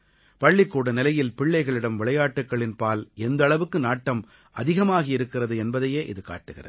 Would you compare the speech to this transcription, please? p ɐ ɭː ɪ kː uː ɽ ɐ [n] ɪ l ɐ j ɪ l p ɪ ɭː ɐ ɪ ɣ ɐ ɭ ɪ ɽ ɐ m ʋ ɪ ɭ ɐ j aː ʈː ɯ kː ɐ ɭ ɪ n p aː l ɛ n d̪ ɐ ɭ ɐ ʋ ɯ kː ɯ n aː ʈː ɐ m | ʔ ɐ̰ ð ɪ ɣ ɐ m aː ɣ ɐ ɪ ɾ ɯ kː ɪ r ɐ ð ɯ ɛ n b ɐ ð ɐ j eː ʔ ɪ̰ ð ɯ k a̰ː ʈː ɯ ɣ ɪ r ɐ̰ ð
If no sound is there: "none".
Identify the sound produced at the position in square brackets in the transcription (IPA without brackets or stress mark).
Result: n